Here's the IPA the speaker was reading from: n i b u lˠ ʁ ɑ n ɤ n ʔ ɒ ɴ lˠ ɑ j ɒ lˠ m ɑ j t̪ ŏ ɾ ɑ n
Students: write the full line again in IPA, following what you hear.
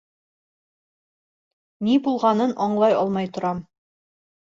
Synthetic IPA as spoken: n i b u lˠ ʁ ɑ n ɤ n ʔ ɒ ɴ lˠ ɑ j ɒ lˠ m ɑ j t̪ ŏ ɾ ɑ m